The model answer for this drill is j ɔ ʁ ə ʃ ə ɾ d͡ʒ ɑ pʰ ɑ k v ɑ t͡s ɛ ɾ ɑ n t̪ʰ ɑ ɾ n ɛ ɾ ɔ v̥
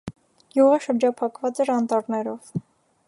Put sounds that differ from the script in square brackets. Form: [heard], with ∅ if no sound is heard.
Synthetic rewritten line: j [u] ʁ ə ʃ ə ɾ d͡ʒ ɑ pʰ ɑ k v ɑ t͡s ɛ ɾ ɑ n [t̪] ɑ ɾ n ɛ ɾ ɔ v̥